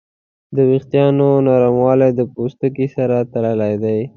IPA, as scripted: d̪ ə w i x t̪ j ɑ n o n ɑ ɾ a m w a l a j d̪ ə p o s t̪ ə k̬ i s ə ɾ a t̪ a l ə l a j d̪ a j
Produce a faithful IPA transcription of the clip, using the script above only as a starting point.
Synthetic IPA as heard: d̪ ə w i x t̪ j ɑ n o n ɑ ɾ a m w ɑ l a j d̪ ə p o s t̪ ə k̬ i s a ɾ a t̪ a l ə l a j d̪ a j

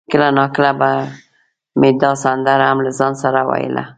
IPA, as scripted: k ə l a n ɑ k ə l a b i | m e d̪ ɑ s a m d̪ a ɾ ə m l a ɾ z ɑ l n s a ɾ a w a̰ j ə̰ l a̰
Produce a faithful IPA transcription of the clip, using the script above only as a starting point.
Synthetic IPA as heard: k ə l a n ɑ k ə l a b a | m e d̪ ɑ s a n d̪ a ɾ a m l a z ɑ n s a ɾ a w a̰ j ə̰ l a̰

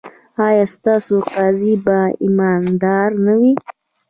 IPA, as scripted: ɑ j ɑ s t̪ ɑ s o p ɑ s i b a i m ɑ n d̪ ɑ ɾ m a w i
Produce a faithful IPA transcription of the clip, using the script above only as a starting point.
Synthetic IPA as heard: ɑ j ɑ s t̪ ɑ s o q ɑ z i b a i m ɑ n d̪ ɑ ɾ n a w i

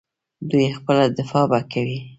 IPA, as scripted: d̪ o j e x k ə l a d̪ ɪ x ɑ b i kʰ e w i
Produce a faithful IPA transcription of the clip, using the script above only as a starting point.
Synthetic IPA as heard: d̪ u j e x p ə l a d̪ ɪ f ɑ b a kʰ a w i

